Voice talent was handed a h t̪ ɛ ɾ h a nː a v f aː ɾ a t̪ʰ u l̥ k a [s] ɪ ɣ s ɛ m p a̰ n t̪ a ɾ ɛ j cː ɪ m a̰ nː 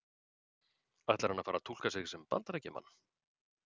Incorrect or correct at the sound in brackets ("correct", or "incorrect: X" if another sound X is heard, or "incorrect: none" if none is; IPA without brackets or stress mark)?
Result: correct